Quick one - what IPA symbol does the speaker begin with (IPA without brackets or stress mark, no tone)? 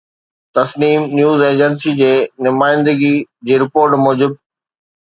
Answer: t̪